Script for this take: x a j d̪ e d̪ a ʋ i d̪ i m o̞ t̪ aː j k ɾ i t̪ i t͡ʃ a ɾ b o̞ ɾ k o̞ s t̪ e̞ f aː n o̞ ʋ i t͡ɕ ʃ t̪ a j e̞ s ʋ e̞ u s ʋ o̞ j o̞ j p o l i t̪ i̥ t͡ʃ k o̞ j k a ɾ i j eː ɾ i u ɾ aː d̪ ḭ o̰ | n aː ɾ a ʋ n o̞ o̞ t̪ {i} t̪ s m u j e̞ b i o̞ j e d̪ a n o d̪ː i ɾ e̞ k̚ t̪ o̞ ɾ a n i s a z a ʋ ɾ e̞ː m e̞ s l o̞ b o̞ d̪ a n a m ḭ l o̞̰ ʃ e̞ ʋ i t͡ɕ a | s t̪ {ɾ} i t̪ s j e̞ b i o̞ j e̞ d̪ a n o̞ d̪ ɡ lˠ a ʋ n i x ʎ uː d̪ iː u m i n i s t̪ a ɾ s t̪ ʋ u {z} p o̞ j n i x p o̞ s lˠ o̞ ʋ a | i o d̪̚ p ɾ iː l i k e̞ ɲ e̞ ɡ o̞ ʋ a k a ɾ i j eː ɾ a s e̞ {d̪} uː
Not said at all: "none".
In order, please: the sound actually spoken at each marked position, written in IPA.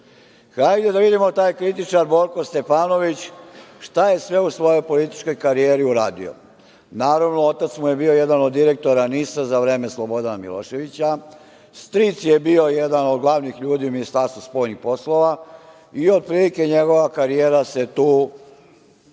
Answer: a, ɾ, s, t̪

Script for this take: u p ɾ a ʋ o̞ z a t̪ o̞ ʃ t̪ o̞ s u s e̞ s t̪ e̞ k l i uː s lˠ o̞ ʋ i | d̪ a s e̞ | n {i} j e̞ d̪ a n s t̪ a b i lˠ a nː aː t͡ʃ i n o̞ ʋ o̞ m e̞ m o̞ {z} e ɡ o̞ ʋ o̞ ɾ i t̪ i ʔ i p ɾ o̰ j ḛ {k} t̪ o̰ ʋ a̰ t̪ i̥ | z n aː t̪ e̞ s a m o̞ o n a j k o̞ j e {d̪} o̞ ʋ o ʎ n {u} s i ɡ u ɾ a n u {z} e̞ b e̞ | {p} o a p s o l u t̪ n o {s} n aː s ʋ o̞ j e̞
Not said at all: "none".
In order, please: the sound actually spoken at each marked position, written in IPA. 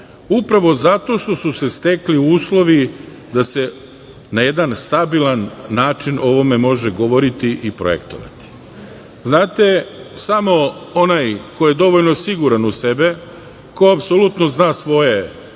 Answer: a, ʒ, k, d̪, o, s, k, z

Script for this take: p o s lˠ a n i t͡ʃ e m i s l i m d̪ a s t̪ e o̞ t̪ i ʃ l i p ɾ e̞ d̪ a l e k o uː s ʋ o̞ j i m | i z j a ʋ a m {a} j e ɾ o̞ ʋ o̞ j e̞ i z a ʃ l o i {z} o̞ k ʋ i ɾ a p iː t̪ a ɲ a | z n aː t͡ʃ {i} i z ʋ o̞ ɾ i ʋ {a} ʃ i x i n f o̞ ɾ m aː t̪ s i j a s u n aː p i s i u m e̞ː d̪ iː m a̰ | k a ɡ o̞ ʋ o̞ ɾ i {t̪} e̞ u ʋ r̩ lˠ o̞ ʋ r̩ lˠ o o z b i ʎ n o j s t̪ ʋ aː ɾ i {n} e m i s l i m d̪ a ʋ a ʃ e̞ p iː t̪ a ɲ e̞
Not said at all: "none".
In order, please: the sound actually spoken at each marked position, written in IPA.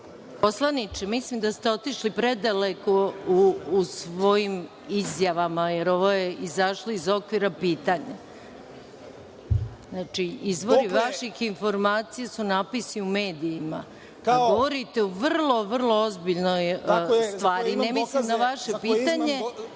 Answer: a, z, i, a, t̪, n

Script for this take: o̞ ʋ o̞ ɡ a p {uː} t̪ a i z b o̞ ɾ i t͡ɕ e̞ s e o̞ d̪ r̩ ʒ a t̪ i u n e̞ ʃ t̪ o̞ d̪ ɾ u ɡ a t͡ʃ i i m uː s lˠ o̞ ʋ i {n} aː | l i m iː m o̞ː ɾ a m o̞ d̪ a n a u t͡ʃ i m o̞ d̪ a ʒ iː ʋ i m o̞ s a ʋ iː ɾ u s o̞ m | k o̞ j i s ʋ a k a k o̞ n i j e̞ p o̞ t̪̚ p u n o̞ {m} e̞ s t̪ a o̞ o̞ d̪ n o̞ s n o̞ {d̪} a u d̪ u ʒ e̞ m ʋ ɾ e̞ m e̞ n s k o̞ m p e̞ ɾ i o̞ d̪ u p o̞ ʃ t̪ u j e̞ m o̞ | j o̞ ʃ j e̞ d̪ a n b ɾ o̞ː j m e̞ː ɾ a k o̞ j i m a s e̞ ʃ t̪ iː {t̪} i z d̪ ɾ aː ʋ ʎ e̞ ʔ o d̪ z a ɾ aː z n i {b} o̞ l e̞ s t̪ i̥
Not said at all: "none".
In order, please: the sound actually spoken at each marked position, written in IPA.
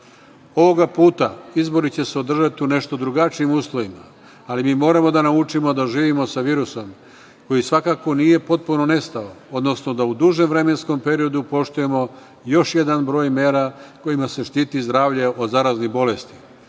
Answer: uː, m, n, d̪, t̪, b

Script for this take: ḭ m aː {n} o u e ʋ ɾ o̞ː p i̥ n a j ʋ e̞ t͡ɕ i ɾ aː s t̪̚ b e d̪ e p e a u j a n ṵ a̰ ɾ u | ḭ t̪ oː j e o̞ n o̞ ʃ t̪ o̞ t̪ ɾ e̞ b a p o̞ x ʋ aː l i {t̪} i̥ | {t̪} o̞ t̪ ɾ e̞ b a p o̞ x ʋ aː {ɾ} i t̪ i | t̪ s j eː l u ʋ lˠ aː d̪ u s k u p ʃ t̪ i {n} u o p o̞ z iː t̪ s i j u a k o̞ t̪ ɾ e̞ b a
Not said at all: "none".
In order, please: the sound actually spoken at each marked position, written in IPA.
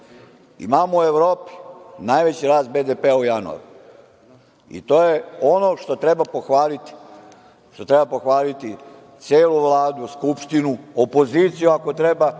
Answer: m, t̪, t̪, l, n

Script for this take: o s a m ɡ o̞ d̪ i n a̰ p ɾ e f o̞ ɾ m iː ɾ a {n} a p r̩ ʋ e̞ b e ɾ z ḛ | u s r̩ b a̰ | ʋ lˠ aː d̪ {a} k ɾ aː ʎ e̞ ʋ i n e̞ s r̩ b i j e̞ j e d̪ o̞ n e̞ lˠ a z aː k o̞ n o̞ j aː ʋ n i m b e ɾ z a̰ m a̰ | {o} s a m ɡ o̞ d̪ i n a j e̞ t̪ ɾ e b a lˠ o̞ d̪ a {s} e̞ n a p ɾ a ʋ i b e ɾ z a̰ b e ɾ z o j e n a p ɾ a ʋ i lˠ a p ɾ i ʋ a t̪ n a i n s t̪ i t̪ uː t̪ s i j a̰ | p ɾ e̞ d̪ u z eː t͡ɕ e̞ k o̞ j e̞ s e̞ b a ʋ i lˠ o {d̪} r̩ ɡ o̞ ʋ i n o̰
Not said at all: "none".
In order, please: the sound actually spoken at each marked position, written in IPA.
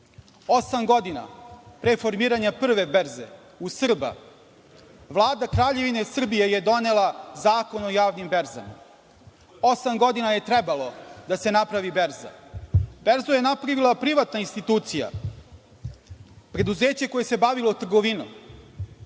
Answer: ɲ, a, o, s, t̪

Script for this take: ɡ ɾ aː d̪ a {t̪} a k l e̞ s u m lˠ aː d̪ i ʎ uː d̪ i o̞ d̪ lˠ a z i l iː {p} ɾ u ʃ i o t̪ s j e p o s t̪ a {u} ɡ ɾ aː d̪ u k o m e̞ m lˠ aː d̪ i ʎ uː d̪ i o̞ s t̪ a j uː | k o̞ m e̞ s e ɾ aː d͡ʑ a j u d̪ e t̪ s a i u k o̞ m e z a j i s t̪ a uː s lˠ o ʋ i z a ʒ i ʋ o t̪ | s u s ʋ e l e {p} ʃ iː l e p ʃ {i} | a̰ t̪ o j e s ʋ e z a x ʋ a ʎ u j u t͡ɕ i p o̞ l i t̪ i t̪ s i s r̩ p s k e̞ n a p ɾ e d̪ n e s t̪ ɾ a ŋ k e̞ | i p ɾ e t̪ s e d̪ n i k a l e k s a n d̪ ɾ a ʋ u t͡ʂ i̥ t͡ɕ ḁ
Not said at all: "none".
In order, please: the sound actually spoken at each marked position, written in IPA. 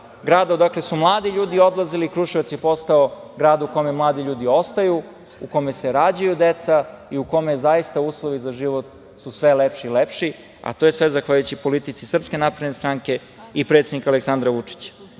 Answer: d̪, k, o, p, i

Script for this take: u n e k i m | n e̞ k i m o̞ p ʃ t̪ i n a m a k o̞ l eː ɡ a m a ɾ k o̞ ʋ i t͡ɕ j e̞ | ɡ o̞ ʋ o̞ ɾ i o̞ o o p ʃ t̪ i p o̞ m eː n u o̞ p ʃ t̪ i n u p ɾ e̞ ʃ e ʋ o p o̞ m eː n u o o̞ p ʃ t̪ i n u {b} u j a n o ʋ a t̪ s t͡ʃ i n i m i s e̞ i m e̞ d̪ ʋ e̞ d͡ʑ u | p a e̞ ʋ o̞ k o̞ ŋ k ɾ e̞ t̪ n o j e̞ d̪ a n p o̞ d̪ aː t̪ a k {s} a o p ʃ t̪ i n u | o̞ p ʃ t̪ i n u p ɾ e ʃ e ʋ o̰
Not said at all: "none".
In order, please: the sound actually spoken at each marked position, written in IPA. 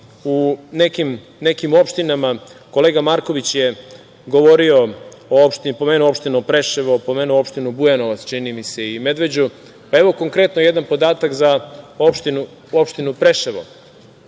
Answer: b, z

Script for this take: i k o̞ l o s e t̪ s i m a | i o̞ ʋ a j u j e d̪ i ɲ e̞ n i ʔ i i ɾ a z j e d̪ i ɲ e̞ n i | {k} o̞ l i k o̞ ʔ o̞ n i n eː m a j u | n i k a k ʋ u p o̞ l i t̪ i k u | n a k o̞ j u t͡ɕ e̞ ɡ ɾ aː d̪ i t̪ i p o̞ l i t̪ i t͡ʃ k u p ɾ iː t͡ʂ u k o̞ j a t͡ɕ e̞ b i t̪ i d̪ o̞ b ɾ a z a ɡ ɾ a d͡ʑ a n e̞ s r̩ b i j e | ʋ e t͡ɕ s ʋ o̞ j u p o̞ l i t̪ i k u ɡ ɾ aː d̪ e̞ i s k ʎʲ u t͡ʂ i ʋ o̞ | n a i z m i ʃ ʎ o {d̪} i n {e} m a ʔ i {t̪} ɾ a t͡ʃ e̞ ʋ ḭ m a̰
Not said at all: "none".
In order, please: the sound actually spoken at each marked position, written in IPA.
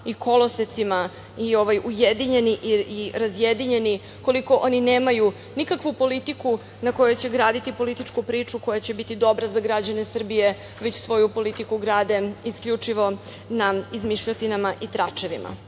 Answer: k, t̪, a, t̪

